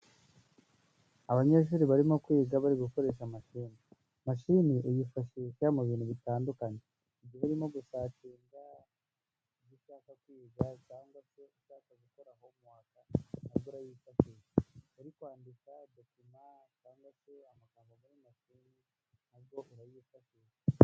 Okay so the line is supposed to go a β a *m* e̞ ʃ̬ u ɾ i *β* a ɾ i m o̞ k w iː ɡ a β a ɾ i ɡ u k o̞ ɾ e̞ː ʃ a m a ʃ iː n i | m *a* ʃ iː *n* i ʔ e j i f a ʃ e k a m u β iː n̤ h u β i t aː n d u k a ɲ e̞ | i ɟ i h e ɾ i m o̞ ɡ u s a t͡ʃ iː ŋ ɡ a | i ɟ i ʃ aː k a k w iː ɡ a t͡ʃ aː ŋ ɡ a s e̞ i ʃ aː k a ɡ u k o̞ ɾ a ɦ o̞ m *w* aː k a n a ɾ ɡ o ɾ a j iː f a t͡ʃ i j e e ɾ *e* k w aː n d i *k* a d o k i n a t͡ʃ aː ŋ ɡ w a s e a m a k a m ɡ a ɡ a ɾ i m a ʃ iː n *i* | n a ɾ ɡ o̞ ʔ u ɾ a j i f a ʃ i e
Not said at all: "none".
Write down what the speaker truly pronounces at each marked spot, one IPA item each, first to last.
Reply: ɲ, β, a, n, w, i, k, i

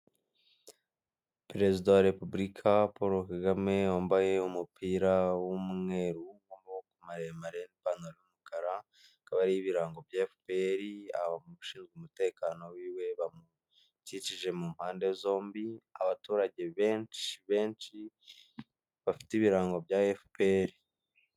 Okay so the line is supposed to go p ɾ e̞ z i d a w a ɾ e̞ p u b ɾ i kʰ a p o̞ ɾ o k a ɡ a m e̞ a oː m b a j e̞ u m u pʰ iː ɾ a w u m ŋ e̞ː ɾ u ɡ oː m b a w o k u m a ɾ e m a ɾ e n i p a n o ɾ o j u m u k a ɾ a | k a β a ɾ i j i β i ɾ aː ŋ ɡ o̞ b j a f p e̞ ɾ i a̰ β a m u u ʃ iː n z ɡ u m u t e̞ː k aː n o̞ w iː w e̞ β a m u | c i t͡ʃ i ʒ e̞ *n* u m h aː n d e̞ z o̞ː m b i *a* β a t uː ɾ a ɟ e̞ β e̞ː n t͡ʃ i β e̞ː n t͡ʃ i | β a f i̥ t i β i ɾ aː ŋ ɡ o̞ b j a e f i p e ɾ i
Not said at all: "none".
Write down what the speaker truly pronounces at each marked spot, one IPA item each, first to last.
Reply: m, a

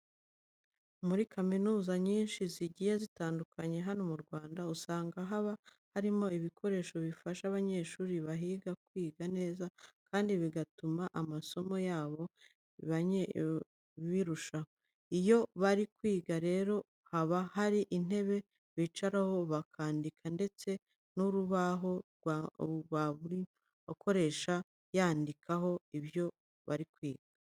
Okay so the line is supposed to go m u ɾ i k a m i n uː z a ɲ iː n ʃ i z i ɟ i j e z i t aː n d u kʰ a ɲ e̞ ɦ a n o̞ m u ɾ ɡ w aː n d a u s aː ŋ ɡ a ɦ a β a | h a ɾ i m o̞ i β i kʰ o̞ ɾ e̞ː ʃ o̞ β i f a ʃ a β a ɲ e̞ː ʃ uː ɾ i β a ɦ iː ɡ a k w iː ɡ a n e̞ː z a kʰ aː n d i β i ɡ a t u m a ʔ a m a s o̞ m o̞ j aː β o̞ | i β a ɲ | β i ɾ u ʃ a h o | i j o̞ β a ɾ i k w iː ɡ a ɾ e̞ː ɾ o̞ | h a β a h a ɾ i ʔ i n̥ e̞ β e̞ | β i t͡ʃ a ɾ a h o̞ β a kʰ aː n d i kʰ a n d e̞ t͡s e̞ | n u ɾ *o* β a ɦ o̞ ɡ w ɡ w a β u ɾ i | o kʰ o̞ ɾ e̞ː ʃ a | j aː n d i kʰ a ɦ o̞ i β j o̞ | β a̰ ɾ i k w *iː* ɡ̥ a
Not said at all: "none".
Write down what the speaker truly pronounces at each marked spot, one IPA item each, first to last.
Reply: u, iː

